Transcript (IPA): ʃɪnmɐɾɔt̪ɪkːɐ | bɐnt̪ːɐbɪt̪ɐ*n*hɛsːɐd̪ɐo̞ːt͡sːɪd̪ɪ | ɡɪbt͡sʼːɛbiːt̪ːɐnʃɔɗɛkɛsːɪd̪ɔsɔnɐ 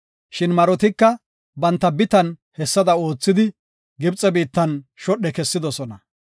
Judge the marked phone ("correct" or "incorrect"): correct